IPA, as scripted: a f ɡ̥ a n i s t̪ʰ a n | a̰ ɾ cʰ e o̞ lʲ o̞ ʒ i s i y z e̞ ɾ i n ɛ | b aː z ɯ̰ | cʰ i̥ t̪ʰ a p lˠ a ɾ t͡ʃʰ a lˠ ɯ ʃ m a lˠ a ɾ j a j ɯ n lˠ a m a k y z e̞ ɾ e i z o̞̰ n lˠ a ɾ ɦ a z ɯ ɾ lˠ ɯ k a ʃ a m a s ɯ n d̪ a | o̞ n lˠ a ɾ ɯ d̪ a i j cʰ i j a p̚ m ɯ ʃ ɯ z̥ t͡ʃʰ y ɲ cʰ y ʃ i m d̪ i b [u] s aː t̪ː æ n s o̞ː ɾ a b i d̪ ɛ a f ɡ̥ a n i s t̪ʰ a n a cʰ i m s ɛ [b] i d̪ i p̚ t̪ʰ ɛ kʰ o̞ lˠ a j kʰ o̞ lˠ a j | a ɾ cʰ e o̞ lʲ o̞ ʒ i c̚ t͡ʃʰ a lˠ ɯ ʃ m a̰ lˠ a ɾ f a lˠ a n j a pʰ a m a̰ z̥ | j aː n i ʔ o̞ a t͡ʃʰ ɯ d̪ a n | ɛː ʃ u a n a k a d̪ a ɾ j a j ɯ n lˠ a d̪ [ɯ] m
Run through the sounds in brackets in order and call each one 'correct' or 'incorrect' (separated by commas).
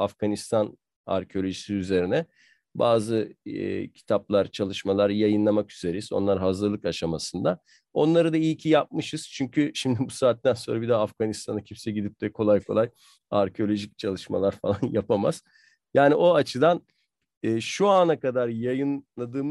correct, incorrect, incorrect